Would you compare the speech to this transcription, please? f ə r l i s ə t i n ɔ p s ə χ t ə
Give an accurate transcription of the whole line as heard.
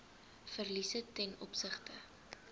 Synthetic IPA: f ə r l i s ə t ɛ n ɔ p s ə χ t ə